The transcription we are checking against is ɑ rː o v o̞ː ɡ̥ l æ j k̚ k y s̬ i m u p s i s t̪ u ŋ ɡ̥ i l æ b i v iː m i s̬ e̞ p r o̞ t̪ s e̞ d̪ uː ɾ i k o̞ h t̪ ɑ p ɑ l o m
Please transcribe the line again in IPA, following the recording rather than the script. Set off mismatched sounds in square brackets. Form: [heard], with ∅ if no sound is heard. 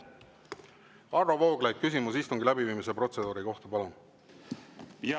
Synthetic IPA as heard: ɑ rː o v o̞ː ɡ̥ l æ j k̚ k y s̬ i m u [∅] s i s t̪ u ŋ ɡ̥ i l æ b i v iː m i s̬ e̞ p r o̞ t̪ s e̞ d̪ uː ɾ i k o̞ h t̪ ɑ p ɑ l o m